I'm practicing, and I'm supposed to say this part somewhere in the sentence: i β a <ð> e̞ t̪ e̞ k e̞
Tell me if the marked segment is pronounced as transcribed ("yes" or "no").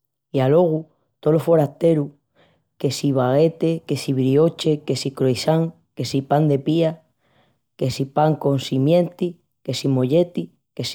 no